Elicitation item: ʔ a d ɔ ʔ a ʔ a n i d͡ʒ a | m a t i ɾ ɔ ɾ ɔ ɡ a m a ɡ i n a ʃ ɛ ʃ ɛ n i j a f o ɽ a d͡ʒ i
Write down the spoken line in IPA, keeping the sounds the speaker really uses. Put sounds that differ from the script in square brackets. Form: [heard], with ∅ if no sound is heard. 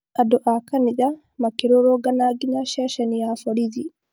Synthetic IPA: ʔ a d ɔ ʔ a [k] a n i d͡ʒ a | m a [k] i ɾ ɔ ɾ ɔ ɡ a [n] a ɡ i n a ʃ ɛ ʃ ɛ n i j a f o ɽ [i] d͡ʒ i